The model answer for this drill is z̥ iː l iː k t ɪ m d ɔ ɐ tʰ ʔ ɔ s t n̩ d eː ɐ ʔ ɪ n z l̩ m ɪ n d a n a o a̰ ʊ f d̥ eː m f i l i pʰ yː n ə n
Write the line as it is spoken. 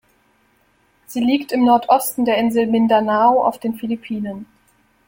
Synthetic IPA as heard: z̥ iː l iː k t ɪ m n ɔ ɐ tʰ ʔ ɔ s t n̩ d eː ɐ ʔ ɪ n z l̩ m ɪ n d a n a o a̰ ʊ f d̥ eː n f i l i pʰ iː n ə n

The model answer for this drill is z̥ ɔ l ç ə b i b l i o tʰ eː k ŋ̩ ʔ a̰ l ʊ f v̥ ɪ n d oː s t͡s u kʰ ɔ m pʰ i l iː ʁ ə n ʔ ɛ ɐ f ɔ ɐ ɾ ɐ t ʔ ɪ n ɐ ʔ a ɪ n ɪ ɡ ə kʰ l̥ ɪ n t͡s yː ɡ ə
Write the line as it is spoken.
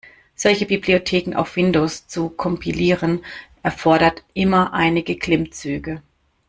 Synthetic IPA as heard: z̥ ɔ l ç ə b i b l i o tʰ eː k ŋ̩ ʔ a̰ ʊ f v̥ ɪ n d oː s t͡s u kʰ ɔ m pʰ i l iː ʁ ə n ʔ ɛ ɐ f ɔ ɐ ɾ ɐ t ʔ ɪ m ɐ ʔ a ɪ n ɪ ɡ ə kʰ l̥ ɪ m t͡s yː ɡ ə

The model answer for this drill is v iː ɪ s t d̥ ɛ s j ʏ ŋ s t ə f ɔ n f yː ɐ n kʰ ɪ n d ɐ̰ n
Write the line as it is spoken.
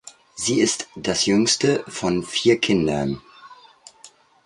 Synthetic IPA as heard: z iː ɪ s t d̥ a s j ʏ ŋ s t ə f ɔ n f iː ɐ kʰ ɪ n d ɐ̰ n

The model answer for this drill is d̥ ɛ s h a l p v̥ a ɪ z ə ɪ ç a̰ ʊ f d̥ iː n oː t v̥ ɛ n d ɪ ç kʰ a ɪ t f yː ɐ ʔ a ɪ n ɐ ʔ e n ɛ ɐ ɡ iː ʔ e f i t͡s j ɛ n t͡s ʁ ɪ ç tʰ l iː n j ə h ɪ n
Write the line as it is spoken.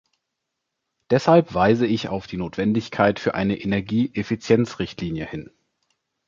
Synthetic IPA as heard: d̥ ɛ s h a l p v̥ a ɪ z ə ɪ ç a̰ ʊ f d̥ iː n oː t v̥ ɛ n d ɪ ç kʰ a ɪ t f yː ɐ ʔ a ɪ n ə ʔ e n ɛ ɐ ɡ iː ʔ e f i t͡s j ɛ n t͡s ʁ ɪ ç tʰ l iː n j ə h ɪ n

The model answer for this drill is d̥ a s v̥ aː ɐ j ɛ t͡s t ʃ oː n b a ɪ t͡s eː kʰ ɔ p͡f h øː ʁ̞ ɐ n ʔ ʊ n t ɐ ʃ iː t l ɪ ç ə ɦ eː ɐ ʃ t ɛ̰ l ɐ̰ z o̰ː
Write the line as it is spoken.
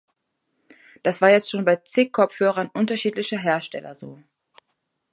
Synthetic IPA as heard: d̥ a s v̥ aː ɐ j ɛ t͡s t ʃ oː n b a ɪ t͡s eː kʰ ɔ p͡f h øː ʁ̞ ɐ n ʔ ʊ n t ɐ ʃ iː t l ɪ ç ə ɦ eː ɐ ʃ t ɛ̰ l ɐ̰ z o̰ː

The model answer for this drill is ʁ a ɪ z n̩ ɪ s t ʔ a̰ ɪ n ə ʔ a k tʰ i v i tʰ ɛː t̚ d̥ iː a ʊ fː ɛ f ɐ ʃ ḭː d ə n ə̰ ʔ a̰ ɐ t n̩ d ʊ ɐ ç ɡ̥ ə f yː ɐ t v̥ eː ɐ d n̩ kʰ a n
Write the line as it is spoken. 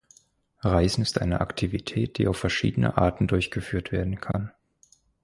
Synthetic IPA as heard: ʁ a ɪ z n̩ ɪ s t ʔ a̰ ɪ n ə ʔ a k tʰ i v i tʰ ɛː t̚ d̥ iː a ʊ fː ɛ ɐ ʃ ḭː d ə n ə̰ ʔ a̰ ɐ t n̩ d ʊ ɐ ç ɡ̥ ə f yː ɐ t v̥ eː ɐ d n̩ kʰ a n

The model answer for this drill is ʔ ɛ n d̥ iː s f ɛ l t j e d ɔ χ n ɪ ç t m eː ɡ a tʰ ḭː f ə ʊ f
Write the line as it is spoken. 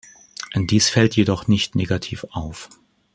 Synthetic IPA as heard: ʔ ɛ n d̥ iː s f ɛ l t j e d ɔ χ n ɪ ç t n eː ɡ a tʰ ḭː f a ʊ f

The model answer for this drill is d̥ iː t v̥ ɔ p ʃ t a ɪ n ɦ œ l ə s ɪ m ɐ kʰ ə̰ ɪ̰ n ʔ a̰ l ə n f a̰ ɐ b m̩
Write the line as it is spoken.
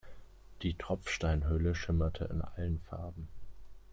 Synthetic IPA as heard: d̥ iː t ʁ̥ ɔ p͡f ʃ t a ɪ n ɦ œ l ə ʃ ɪ m ɐ tʰ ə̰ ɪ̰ n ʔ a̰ l ə n f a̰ ɐ b m̩

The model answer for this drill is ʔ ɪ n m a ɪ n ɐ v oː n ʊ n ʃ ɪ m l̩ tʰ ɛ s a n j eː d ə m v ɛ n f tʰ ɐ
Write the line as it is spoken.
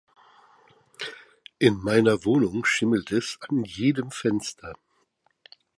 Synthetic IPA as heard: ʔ ɪ n m a ɪ n ɐ v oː n ʊ ŋ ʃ ɪ m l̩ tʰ ɛ s a n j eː d ə m f ɛ n s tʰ ɐ

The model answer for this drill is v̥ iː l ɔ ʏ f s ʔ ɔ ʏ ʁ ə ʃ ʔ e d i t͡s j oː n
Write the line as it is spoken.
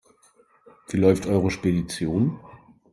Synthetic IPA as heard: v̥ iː l ɔ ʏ f t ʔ ɔ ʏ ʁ ə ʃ p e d i t͡s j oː n

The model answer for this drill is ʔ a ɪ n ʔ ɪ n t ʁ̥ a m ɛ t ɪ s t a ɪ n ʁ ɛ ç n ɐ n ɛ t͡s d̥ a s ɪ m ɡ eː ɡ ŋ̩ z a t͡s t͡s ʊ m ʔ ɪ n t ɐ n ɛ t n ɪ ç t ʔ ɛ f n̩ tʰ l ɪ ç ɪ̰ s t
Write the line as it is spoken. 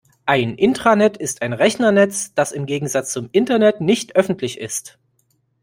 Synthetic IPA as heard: ʔ a ɪ n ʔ ɪ n t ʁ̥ a n ɛ t ɪ s t a ɪ n ʁ ɛ ç n ɐ n ɛ t͡s d̥ a s ɪ m ɡ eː ɡ ŋ̩ z a t͡s t͡s ʊ m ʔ ɪ n t ɐ n ɛ t n ɪ ç t ʔ œ f n̩ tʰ l ɪ ç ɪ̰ s t

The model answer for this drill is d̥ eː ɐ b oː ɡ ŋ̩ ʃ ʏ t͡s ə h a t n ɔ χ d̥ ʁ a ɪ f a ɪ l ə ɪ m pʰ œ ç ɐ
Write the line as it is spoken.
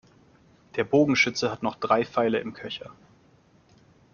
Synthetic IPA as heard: d̥ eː ɐ b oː ɡ ŋ̩ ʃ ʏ t͡s ə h a t n ɔ χ d̥ ʁ a ɪ f a ɪ l ə ɪ m kʰ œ ç ɐ

